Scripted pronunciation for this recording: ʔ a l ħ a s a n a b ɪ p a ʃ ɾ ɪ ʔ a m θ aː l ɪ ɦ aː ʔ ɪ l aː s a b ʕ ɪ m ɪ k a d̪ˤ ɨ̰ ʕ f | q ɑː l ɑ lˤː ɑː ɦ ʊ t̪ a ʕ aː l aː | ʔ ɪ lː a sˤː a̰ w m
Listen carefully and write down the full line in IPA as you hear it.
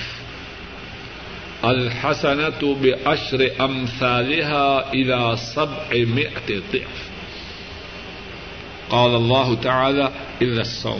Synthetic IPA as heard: ʔ a l ħ a s a n a b ɪ ʔ a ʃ ɾ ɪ ʔ a m θ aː l ɪ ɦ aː ʔ ɪ l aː s a b ʕ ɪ m ɪ ʔ a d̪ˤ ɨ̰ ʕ f | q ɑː l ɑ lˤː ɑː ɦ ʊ t̪ a ʕ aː l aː | ʔ ɪ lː a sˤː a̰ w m